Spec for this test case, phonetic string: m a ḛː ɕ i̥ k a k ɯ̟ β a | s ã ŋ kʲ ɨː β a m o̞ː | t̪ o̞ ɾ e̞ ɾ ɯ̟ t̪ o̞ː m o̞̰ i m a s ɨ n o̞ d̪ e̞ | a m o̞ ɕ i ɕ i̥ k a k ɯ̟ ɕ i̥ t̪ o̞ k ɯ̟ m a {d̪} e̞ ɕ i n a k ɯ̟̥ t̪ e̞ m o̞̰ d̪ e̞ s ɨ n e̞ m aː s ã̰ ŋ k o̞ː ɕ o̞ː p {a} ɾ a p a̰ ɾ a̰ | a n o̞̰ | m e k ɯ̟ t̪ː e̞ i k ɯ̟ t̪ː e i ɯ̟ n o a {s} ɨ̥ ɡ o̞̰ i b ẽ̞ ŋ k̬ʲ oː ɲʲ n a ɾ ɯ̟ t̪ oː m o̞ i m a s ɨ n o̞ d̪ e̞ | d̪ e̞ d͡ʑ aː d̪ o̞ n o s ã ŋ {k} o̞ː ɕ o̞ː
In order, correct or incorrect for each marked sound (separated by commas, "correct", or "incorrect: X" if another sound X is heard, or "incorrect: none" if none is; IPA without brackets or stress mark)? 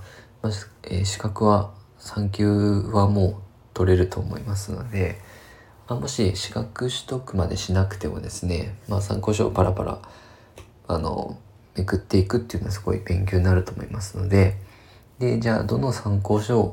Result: correct, correct, correct, correct